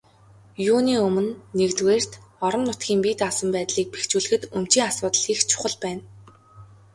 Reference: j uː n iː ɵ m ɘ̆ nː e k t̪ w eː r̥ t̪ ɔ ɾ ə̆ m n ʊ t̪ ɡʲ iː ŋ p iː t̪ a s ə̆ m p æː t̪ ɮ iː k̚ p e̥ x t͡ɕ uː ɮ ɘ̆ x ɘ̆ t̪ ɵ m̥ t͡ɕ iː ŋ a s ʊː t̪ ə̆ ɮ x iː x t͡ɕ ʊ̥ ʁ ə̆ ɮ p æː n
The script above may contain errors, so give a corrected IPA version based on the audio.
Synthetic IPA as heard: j uː n iː ɵ m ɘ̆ nː e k t̪ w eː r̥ t̪ ɔ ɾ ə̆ m n ʊ t̪ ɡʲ iː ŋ p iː t̪ a s ə̆ m p æː t̪ ɮ iː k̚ p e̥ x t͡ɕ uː ɮ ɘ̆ x ɘ̆ t̪ ɵ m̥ t͡ɕ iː ŋ a s ʊː t̪ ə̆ ɮ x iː x t͡ɕʰ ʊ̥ χ ə̆ ɮ p æː n